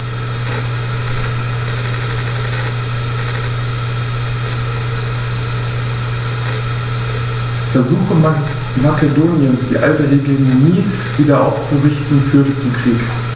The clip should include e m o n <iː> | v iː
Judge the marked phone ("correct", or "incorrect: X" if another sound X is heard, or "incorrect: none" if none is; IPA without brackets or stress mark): correct